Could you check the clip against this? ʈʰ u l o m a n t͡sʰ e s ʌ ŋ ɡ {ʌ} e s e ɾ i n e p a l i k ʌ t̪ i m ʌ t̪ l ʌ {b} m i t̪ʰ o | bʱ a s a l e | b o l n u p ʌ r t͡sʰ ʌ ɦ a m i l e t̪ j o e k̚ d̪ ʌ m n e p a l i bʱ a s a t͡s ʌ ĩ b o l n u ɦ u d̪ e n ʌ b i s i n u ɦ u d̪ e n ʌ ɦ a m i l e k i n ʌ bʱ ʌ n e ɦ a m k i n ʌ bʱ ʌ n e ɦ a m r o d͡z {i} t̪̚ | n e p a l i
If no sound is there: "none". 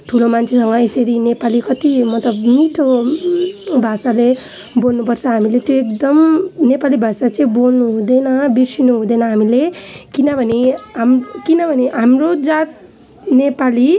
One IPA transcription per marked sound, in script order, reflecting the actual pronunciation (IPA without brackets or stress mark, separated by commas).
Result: ʌ, b, a